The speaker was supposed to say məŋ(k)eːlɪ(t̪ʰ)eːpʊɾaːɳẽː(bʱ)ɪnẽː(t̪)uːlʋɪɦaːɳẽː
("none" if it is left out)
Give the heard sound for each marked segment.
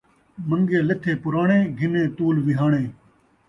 ɡ, t̪ʰ, ɡʱ, t̪

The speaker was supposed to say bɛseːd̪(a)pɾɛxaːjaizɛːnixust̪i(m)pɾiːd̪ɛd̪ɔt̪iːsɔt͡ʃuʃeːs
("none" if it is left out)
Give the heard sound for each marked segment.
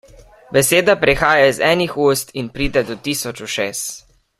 a, n

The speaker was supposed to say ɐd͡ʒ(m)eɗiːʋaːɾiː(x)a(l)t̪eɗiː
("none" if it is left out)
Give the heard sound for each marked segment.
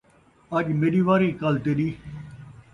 m, k, l

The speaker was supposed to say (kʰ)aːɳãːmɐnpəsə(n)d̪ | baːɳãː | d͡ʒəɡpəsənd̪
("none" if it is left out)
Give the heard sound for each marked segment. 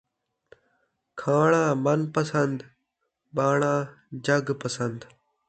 kʰ, n

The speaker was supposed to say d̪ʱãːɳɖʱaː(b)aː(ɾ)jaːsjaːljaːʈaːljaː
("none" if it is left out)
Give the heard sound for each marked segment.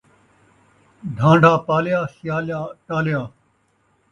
p, l

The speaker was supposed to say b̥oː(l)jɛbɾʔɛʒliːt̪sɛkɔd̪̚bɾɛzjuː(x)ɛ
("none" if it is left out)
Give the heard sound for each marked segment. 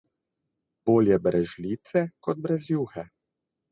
l, x

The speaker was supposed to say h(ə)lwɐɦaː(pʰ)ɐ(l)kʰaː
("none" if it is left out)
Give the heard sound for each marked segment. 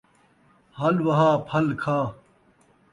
ɐ, pʰ, l

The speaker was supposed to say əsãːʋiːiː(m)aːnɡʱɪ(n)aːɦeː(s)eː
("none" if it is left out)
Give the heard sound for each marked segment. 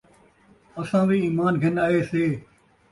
m, n, s

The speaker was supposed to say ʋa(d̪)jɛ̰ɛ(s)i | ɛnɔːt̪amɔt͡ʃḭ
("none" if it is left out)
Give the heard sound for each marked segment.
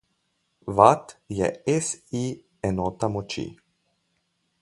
t̪, s

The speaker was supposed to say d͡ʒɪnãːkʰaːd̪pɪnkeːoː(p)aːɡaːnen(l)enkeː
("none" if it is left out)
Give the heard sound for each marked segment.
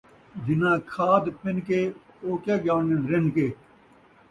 k, ɾ

